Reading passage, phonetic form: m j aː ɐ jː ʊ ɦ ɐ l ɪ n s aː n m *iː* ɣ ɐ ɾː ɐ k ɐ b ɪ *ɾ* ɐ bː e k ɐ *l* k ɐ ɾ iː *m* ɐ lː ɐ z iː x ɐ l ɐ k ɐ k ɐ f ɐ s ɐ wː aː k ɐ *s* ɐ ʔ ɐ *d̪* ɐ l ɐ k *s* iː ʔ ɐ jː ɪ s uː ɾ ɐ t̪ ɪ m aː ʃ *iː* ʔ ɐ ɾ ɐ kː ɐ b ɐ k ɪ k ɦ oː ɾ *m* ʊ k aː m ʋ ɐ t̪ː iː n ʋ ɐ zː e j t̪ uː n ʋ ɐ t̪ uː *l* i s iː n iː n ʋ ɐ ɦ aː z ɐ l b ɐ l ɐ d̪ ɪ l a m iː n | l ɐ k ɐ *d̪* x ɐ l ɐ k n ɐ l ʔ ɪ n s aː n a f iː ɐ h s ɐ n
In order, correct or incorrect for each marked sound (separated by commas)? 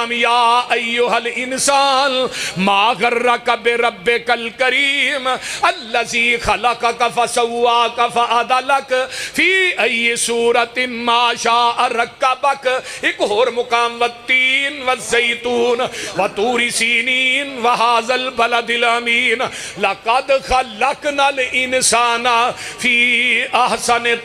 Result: incorrect, correct, correct, correct, incorrect, correct, incorrect, incorrect, correct, incorrect, correct